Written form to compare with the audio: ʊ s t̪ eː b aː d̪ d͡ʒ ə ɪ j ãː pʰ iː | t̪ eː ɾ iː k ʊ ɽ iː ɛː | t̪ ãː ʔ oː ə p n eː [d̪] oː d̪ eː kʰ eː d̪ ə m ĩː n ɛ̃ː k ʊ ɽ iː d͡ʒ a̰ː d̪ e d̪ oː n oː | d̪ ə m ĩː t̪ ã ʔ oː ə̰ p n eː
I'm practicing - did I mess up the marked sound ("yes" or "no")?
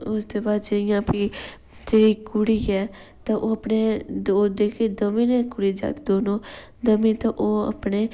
no